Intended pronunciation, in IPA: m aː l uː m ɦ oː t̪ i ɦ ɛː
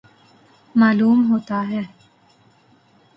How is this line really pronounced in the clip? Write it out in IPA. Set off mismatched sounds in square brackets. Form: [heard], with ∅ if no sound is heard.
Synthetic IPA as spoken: m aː l uː m ɦ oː t̪ [a] ɦ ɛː